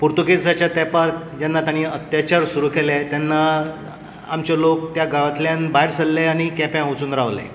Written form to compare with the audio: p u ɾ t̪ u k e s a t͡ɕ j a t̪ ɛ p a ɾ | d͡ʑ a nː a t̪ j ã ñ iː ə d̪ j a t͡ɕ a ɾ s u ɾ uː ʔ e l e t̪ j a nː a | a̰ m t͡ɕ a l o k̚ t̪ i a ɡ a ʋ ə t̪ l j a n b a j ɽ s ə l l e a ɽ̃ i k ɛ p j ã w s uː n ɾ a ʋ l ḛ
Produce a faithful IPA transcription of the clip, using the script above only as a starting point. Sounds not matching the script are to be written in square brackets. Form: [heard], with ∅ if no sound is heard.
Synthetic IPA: p u ɾ t̪ u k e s a t͡ɕ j a t̪ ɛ p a ɾ | d͡ʑ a nː a t̪ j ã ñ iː ə [t̪] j a t͡ɕ a ɾ s u ɾ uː [k] e l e t̪ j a nː a | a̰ m t͡ɕ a l o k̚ t̪ [j] a ɡ a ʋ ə t̪ l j a n b a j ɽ s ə l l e a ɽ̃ i k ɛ p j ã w [t͡s] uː n ɾ a ʋ l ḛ